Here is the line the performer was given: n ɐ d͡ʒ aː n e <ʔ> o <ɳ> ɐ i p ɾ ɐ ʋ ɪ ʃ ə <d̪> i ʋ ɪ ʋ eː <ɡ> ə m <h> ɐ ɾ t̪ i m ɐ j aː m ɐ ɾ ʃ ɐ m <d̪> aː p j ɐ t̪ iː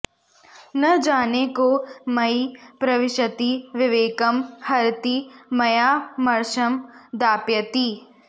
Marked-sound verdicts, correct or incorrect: incorrect: k, incorrect: m, incorrect: t̪, incorrect: k, correct, correct

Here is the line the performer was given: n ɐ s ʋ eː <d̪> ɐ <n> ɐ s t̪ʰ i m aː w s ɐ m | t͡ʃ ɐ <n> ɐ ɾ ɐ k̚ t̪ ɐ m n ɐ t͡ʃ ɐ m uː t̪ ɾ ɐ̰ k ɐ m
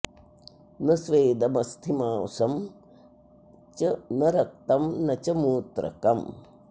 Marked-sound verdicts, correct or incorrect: correct, incorrect: m, correct

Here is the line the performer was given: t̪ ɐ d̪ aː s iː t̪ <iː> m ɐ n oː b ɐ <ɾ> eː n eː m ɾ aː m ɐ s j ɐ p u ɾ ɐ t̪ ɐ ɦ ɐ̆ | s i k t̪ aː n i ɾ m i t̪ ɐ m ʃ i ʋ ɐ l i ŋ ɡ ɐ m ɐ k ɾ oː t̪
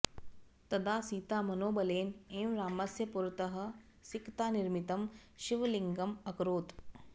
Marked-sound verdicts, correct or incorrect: incorrect: aː, incorrect: l

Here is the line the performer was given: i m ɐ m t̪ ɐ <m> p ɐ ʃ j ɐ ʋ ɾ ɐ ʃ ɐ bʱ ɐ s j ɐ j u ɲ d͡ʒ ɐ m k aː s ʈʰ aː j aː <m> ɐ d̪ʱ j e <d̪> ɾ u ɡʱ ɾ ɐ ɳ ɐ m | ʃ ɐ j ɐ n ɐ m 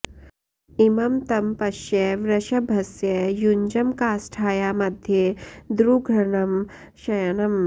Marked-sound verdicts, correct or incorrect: correct, correct, correct

